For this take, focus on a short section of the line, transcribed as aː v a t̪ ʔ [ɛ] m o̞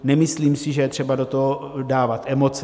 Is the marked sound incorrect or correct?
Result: correct